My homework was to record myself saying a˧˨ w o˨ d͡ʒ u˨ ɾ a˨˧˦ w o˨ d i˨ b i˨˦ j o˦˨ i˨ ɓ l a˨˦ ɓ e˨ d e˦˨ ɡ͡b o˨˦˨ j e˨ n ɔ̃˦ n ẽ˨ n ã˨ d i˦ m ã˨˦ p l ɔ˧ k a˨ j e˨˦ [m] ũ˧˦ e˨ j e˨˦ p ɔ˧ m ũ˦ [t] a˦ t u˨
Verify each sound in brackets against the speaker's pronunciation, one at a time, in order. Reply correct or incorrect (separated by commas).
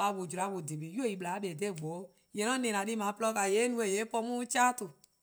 incorrect, incorrect